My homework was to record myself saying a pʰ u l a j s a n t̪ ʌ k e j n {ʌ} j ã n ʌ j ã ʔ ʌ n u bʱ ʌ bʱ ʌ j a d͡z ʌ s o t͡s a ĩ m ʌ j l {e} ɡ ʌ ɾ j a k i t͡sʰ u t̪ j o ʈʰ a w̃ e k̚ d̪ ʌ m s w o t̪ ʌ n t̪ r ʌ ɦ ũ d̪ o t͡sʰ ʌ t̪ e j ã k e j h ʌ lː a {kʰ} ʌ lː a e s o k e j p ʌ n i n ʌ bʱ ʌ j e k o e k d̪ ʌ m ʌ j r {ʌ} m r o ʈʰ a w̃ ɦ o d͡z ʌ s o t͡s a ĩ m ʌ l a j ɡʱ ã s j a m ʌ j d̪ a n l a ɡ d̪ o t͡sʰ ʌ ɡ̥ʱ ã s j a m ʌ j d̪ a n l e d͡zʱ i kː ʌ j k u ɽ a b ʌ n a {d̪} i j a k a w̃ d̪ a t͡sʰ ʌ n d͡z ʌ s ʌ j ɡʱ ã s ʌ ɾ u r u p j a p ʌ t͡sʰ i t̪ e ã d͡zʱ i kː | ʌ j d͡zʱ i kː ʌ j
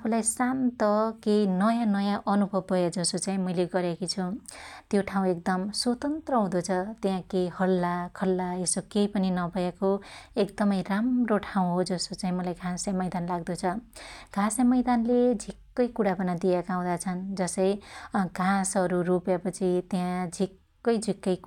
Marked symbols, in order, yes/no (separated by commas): yes, yes, yes, no, yes